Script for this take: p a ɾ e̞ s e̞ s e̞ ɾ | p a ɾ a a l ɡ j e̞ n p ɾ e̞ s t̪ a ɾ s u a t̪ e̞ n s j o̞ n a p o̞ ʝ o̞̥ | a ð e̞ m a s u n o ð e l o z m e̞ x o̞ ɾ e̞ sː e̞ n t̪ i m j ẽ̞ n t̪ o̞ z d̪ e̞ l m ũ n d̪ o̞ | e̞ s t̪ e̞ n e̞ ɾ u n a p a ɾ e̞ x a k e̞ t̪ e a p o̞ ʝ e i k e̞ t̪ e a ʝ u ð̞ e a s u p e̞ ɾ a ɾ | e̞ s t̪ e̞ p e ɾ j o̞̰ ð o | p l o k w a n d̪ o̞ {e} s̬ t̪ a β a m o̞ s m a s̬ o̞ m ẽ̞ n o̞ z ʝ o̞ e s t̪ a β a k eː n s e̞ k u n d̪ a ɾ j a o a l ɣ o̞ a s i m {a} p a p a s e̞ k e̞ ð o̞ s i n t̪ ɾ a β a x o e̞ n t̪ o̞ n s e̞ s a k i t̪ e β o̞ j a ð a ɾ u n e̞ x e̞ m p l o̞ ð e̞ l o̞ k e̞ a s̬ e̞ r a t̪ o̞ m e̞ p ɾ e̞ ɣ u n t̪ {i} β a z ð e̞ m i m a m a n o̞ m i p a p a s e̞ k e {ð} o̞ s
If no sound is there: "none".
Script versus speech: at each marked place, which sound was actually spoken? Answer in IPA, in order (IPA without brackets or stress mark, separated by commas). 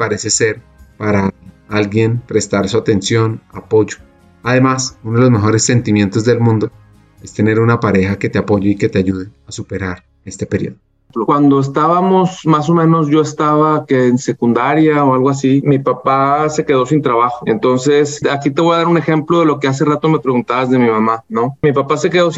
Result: e, i, a, ð